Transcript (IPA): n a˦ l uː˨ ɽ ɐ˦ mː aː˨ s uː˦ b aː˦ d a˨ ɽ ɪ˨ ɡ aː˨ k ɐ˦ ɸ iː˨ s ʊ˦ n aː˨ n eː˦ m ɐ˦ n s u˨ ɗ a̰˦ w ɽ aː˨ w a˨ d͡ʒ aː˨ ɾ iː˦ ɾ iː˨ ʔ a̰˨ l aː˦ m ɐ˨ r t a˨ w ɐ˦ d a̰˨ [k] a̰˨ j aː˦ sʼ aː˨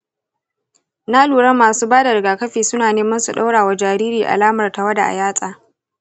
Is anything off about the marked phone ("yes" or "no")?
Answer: yes